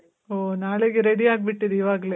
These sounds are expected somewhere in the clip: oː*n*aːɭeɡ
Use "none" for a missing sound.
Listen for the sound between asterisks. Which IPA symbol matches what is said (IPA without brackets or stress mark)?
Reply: n